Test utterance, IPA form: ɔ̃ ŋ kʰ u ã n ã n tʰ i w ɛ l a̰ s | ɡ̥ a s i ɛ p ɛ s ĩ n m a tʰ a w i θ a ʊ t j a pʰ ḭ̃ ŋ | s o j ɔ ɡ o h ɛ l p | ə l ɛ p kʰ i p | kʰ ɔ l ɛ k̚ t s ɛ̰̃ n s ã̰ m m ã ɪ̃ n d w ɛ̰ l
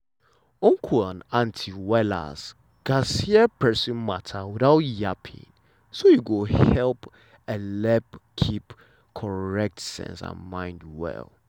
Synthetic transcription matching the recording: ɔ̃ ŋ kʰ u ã n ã n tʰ i w ɛ l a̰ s | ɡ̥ a s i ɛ p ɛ s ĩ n m a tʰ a w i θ a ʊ t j a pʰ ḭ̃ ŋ | s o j u ɡ o h ɛ l p | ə l ɛ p kʰ i p | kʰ ɔ ɹ ɛ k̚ t s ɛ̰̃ n s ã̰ n m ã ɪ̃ n d w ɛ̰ l